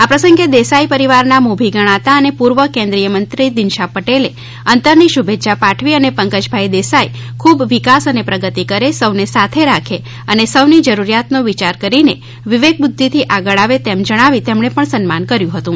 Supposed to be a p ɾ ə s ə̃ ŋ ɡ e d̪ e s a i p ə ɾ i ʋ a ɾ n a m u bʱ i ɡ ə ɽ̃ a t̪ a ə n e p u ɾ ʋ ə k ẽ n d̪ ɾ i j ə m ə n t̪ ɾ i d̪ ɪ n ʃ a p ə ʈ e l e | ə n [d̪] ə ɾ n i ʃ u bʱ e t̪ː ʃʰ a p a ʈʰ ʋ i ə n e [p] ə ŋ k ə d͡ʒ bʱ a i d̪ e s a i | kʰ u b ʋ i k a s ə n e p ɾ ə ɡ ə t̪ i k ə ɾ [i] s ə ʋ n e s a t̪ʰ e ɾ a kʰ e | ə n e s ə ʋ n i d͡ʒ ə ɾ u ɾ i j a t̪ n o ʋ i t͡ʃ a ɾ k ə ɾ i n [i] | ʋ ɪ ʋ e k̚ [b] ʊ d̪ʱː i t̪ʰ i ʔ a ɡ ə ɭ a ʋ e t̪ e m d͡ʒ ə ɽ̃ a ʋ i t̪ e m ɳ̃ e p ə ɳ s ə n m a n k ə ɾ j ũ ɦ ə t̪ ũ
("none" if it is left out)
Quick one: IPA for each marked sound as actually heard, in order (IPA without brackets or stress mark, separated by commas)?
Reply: t̪, p, e, e, b